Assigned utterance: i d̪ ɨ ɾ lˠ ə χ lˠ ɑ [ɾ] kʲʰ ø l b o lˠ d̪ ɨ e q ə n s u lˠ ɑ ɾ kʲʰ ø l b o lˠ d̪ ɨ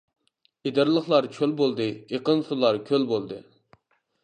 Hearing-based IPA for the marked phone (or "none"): ɾ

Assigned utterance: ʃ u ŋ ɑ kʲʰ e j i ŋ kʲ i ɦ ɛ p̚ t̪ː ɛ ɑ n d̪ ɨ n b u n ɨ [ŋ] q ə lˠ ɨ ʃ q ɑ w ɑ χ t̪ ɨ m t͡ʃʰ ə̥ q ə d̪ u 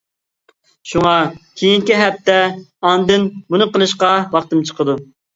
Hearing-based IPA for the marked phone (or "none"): none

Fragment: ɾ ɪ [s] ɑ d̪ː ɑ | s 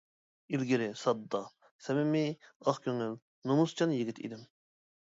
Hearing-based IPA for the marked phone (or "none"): s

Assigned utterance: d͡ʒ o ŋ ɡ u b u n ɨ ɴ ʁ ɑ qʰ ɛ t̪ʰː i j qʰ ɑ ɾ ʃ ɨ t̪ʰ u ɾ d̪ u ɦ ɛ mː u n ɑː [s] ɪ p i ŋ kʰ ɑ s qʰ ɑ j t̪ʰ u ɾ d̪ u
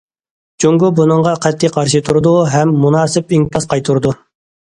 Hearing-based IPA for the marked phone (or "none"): s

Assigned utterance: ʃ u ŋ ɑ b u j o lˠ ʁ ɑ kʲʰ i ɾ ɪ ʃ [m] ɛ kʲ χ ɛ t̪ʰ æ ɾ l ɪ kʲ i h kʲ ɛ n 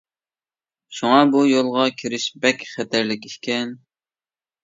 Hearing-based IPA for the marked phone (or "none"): b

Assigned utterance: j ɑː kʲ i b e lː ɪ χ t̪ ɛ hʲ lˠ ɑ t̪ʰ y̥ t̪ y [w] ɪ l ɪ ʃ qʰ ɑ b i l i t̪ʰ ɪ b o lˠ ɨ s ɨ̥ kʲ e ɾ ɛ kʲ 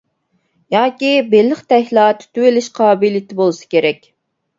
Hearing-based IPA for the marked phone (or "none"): w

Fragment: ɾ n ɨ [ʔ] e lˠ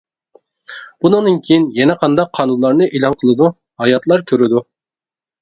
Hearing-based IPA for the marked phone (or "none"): ʔ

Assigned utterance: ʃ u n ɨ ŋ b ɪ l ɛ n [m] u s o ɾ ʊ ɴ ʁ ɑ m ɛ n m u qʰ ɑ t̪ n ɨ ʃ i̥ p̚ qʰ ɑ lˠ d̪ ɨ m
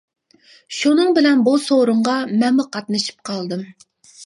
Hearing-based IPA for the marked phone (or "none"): b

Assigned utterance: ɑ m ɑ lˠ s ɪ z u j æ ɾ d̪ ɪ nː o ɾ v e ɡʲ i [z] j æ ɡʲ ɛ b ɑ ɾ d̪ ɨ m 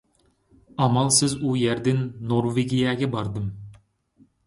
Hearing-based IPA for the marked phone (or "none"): none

